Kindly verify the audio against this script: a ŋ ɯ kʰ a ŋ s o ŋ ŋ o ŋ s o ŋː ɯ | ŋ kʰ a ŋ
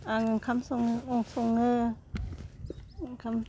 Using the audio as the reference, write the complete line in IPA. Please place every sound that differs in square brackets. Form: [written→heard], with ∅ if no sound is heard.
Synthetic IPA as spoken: a ŋ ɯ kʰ a [ŋ→m] s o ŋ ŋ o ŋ s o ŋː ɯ | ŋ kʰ a [ŋ→m]